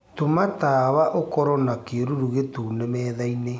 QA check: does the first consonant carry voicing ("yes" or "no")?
no